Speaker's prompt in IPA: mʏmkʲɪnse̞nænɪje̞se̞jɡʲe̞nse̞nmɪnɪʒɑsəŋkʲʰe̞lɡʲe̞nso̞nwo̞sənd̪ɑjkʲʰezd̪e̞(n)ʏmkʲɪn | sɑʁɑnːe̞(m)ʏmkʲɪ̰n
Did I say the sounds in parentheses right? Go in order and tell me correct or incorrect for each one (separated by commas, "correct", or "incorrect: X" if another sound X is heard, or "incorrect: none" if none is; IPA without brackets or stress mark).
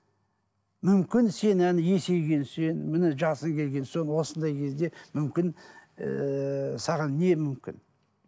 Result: incorrect: m, correct